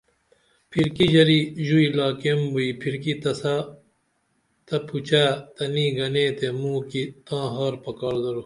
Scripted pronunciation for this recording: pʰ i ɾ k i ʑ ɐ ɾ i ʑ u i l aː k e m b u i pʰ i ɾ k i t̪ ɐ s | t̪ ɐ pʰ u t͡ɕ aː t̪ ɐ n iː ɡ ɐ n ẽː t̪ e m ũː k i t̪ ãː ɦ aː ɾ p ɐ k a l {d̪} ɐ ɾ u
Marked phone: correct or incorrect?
correct